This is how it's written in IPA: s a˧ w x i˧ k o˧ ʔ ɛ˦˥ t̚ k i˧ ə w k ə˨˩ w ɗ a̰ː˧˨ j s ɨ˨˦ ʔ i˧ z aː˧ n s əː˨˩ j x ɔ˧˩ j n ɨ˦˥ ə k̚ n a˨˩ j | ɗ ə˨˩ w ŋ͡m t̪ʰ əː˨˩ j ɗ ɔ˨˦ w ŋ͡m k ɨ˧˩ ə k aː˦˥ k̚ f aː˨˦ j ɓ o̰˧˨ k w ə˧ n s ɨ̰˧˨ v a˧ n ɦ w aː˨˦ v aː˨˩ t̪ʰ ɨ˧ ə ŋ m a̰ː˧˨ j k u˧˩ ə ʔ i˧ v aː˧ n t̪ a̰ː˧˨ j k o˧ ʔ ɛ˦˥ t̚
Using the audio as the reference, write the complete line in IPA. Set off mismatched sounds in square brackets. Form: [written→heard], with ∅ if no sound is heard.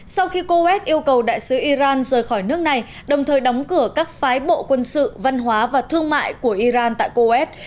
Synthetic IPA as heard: s a˧ w x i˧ k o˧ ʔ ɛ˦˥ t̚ [k→ʔ] i˧ ə w k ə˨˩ w ɗ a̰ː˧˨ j s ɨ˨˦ ʔ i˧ z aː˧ n [s→z] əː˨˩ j x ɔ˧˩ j n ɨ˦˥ ə k̚ n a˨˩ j | ɗ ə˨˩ w ŋ͡m t̪ʰ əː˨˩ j ɗ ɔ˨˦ w ŋ͡m k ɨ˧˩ ə k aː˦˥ k̚ f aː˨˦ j ɓ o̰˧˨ k w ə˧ n s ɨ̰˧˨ v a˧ n ɦ w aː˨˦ v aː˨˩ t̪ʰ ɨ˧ ə ŋ m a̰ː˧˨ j k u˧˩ ə ʔ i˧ [v→z] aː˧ n t̪ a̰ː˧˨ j k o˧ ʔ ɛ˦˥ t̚